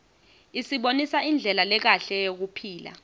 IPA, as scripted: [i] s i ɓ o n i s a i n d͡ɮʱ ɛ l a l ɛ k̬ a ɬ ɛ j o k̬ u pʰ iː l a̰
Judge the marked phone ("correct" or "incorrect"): correct